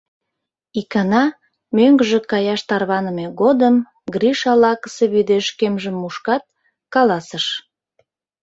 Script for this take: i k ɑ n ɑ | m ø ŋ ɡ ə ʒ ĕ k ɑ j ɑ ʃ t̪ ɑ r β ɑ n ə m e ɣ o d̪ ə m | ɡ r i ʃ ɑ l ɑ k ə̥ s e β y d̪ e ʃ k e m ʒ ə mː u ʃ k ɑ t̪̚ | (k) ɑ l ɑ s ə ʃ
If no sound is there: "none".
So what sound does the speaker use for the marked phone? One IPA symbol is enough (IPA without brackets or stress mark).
k